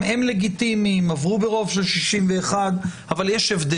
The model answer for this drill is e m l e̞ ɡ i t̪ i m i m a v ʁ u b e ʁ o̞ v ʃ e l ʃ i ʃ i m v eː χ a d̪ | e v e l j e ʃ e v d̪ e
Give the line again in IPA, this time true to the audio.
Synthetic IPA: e m l e̞ ɡ i t̪ i m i m a v ʁ u b e ʁ o̞ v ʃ e l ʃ i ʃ i m v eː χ a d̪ | a v a l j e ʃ e v d̪ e

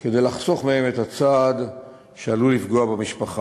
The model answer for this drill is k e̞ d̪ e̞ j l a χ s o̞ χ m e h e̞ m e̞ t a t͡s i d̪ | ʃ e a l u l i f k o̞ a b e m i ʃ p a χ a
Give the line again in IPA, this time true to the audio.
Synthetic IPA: k e̞ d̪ e̞ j l a χ s o̞ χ m e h e̞ m e̞ t a t͡s a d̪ | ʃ e a l u l i f ɡ o̞ a b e m i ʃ p a χ a

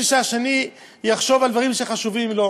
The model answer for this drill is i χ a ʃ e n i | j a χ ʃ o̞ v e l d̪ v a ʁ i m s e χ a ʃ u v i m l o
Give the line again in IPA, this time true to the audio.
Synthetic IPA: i ʃ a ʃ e n i | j a χ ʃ o̞ v a l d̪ v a ʁ i m ʃ e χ a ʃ u v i m l o

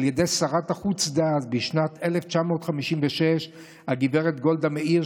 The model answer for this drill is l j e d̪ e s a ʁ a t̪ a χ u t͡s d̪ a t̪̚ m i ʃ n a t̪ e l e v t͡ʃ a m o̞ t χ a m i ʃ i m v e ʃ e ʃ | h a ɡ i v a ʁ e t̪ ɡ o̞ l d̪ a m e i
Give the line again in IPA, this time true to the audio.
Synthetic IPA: l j e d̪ e s a ʁ a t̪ a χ u t͡s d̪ a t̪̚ b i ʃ n a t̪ e l e f t͡ʃ a m o̞ t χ a m i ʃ i m v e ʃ e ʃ | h a ɡ i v e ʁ e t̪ ɡ o̞ l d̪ a m e i

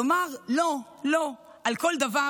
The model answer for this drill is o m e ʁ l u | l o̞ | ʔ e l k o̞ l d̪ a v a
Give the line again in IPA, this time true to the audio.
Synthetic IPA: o m a ʁ l o | l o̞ | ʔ a l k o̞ l d̪ a v a

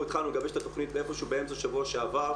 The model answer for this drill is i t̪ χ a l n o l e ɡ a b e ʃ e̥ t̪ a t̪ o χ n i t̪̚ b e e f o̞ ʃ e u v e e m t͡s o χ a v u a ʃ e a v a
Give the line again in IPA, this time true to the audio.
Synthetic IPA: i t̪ χ a l n u l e ɡ a b e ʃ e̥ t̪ a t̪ o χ n i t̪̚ b e e f o̞ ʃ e u b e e m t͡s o ʃ a v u a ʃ e a v a

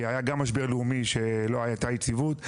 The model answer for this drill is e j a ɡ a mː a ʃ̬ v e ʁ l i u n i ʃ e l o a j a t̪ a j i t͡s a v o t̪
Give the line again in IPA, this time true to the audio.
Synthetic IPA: a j a ɡ a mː a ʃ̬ b e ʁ l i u m i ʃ e l o a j a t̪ a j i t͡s i v u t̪

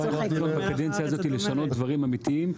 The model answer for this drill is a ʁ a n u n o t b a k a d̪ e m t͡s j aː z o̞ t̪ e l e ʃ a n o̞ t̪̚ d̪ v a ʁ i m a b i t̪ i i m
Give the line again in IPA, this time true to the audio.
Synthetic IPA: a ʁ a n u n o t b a k a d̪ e n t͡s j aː z o̞ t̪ i l e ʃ a n o̞ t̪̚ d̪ v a ʁ i m a m i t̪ i i m

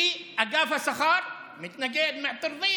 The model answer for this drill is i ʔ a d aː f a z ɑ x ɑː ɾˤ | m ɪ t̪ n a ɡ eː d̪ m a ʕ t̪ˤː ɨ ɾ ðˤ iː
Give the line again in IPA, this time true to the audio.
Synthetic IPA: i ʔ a ɡ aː f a s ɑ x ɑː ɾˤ | m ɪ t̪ n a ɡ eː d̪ m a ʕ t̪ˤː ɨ ɾ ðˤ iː

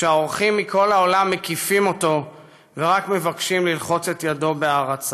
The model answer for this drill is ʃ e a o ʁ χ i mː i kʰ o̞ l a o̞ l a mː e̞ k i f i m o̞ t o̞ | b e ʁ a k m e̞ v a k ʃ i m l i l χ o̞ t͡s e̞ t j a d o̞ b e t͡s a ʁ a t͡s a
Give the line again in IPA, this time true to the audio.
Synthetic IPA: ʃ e a o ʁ χ i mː i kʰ o̞ l a o̞ l a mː e̞ k i f i m o̞ t o̞ | v e ʁ a k m e̞ v a k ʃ i m l i l χ o̞ t͡s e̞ t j a d o̞ b e a ʁ a t͡s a

